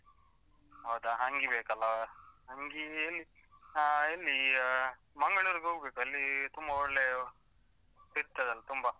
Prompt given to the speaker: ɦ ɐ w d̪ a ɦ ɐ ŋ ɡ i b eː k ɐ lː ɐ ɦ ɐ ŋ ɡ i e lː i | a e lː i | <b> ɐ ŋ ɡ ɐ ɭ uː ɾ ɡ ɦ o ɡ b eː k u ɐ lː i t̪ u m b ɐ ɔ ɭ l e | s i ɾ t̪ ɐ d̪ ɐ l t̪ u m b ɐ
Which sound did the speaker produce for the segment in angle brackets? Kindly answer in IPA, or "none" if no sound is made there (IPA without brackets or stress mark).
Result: m